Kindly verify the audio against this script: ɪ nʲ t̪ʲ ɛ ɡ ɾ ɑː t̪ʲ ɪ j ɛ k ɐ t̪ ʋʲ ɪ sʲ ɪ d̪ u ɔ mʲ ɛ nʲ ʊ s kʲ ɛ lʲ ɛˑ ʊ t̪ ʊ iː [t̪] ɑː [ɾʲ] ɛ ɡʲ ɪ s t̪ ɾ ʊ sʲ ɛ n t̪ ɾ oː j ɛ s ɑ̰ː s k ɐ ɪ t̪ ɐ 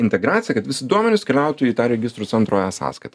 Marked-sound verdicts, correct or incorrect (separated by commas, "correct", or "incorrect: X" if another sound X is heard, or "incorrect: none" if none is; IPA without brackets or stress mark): correct, correct